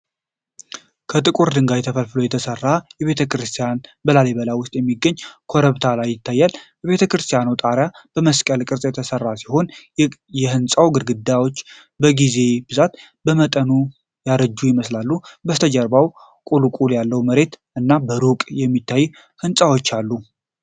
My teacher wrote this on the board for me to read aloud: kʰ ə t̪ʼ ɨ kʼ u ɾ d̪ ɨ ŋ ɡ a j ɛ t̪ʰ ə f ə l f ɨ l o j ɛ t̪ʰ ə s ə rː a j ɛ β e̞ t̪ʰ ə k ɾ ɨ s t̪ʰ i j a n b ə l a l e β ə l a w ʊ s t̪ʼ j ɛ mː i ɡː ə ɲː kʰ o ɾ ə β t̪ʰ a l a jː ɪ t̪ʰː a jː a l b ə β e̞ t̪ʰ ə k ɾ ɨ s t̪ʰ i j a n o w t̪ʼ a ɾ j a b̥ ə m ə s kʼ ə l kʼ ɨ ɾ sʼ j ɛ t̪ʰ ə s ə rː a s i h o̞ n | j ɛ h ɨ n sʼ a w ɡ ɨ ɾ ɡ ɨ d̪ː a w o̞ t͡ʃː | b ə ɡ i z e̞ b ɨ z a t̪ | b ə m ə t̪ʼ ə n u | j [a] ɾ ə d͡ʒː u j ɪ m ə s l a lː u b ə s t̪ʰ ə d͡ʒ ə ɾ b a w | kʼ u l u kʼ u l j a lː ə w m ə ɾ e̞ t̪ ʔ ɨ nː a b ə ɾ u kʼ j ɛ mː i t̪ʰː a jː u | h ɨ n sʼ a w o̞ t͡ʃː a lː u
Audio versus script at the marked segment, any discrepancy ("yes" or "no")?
no